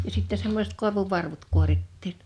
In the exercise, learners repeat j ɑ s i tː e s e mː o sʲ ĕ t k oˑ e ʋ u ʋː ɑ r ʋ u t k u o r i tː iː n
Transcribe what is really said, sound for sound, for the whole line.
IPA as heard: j ɑ s i tː e s e mː o sʲ ĕ t k oˑ e ʋ u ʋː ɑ r ʋ u t k u o r i tː iː n